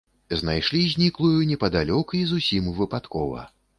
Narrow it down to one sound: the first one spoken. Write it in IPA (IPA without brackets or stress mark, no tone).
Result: z